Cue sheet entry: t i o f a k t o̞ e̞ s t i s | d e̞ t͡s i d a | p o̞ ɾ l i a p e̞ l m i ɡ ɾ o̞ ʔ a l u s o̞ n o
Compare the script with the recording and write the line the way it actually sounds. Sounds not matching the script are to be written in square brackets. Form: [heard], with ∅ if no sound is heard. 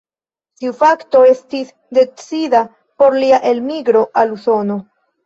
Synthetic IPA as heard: t i [u] f a k t o̞ e̞ s t i s | d e̞ t͡s i d a | p o̞ ɾ l i a [ʔ] e̞ l m i ɡ ɾ o̞ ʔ a l u s o̞ n o